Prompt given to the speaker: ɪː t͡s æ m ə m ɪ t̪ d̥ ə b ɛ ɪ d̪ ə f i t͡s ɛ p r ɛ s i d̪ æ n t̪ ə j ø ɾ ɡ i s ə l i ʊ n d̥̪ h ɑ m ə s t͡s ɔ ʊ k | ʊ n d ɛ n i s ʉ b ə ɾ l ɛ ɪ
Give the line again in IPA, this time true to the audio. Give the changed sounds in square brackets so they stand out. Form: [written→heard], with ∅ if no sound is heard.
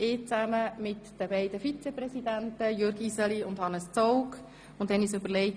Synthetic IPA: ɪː t͡s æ m ə m ɪ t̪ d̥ ə b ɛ ɪ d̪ ə f i t͡s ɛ p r ɛ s i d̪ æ n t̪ ə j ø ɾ ɡ i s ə l i ʊ n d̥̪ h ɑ [m→n] ə s t͡s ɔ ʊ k | ʊ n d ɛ n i s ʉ b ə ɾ l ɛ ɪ